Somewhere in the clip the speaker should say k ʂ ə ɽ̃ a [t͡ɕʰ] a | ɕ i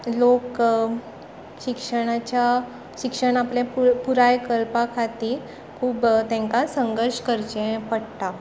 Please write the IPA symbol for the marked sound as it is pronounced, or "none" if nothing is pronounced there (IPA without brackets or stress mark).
t͡ɕ